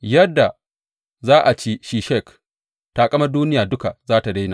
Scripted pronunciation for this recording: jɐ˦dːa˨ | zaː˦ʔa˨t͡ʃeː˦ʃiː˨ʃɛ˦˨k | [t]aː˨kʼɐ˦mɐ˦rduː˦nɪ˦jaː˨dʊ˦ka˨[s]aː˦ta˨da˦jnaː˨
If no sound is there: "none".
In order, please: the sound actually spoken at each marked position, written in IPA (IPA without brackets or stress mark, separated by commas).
t, z